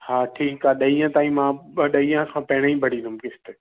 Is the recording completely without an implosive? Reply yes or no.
no